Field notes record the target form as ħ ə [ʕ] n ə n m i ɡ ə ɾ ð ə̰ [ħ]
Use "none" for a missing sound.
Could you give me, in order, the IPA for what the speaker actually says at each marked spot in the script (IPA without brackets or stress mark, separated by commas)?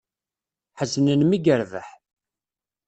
z, ħ